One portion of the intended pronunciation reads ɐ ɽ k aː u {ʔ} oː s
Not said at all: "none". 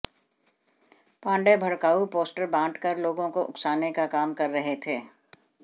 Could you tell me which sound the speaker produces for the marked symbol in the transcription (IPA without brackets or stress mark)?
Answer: p